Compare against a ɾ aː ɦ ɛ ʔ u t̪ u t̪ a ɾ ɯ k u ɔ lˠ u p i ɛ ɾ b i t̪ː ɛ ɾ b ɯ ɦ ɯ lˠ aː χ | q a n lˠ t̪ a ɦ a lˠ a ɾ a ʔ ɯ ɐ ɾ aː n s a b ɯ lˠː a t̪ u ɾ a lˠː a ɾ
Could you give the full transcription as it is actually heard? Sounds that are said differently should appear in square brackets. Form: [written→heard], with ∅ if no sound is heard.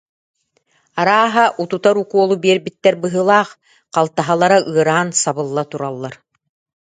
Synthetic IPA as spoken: a ɾ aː ɦ [ɛ→a] ʔ u t̪ u t̪ a ɾ [ɯ→u] k u ɔ lˠ u [p→b] i ɛ ɾ b i t̪ː ɛ ɾ b ɯ ɦ ɯ lˠ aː χ | q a [n→∅] lˠ t̪ a ɦ a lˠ a ɾ a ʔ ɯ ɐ ɾ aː n s a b ɯ lˠː a t̪ u ɾ a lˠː a ɾ